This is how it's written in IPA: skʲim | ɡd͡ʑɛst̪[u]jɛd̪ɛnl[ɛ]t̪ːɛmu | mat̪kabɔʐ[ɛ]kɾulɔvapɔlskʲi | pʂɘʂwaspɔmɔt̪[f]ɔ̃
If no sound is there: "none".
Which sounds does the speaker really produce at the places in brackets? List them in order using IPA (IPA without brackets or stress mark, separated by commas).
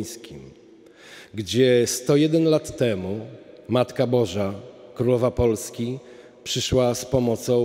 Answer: ɔ, a, a, s